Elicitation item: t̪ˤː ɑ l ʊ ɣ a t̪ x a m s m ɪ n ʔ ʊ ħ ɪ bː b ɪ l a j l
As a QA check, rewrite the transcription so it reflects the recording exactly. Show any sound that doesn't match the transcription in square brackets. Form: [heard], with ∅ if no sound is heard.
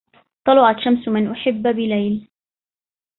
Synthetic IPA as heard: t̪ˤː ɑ l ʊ [ʕ] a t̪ [ʃ] a m s m ɪ n ʔ ʊ ħ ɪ bː b ɪ l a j l